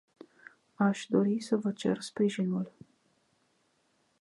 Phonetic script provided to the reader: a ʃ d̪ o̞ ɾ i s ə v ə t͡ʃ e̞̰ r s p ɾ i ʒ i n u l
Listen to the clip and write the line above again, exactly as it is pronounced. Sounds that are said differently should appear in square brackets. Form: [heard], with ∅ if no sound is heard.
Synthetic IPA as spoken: a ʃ d̪ o̞ ɾ i s ə v ə t͡ʃ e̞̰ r s p ɾ i ʒ i n u l